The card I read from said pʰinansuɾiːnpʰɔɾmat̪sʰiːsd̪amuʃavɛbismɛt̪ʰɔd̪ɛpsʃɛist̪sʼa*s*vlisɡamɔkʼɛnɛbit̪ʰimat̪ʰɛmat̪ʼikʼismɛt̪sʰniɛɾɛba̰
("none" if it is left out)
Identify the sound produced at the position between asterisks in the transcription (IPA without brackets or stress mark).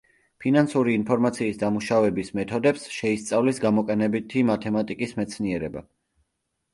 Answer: none